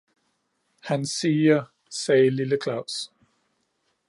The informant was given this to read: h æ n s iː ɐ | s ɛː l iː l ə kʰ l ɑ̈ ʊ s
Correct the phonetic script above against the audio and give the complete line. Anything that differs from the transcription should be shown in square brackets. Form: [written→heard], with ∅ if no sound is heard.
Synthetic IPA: h æ n s iː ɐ | s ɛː l [iː→i] l ə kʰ l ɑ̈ ʊ s